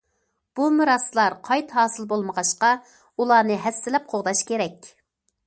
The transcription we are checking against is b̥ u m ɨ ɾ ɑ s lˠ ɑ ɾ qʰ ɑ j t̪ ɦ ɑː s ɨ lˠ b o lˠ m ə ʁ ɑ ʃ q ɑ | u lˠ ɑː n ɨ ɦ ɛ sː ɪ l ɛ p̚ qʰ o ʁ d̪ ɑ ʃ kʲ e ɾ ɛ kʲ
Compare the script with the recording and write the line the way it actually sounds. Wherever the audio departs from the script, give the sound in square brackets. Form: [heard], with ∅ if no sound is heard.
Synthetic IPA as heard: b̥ u m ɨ ɾ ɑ s lˠ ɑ ɾ qʰ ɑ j t̪ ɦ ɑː s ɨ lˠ b o lˠ m ə ʁ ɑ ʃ q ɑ | u lˠ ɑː n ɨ ɦ ɛ sː ɪ l ɛ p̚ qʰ o ʁ d̪ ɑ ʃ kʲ e ɾ ɛ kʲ